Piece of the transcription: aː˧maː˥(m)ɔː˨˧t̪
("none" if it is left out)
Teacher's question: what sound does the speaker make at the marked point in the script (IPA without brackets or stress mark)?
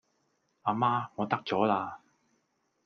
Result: ŋ